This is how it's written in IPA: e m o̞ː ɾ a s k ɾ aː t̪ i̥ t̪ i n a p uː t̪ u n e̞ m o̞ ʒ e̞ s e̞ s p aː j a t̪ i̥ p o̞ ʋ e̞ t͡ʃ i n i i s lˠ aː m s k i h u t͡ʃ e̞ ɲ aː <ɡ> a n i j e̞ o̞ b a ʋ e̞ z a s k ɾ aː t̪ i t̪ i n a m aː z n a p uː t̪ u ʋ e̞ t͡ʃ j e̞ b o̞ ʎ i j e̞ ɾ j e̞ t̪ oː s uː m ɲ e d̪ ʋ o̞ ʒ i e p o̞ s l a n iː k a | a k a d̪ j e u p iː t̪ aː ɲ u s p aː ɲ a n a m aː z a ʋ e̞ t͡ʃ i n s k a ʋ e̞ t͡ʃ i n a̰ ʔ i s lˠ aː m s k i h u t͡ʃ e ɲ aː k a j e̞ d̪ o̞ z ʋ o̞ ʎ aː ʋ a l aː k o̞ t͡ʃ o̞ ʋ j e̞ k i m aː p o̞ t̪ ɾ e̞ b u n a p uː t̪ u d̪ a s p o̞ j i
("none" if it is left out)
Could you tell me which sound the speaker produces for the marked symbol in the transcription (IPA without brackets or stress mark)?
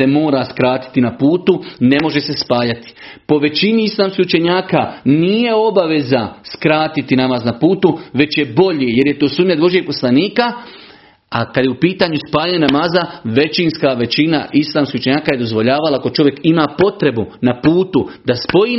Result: k